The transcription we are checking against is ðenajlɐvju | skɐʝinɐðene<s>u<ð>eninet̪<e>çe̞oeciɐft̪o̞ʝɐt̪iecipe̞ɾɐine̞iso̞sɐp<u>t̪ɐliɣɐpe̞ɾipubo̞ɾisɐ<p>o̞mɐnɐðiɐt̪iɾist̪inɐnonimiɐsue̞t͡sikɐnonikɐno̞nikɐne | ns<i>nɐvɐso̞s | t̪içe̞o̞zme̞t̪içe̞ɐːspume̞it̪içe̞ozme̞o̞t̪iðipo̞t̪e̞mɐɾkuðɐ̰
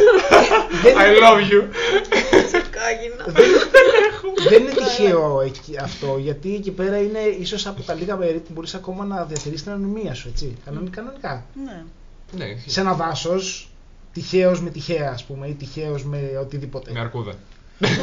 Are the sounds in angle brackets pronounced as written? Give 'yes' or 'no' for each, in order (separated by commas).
no, yes, no, no, no, no